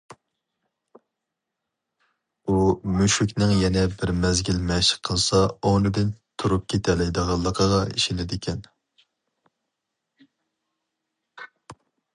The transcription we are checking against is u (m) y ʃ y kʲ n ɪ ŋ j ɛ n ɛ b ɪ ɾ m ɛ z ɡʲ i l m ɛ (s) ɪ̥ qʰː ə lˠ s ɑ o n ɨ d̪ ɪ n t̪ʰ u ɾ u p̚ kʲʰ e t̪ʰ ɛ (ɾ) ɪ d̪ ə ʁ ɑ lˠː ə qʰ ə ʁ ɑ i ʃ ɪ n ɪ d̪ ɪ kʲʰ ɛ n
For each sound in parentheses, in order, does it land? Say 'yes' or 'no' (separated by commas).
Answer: yes, no, no